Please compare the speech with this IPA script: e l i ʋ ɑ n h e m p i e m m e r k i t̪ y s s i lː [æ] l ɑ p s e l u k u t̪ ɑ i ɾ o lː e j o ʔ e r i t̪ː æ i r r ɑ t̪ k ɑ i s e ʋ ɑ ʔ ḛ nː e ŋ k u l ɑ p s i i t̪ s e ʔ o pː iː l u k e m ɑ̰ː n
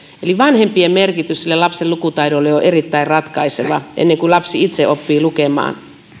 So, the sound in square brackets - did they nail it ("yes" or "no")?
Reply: no